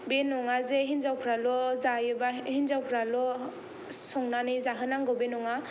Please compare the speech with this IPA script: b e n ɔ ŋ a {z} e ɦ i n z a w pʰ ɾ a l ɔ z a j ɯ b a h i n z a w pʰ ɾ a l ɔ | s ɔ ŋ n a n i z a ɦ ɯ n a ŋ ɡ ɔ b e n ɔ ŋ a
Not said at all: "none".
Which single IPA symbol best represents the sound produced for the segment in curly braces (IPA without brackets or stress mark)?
z